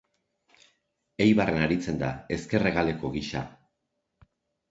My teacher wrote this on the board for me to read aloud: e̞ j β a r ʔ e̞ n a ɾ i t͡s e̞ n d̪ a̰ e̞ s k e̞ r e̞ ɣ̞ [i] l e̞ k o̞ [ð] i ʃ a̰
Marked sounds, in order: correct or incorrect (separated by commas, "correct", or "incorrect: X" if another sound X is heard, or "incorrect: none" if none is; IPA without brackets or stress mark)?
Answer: incorrect: a, incorrect: ɣ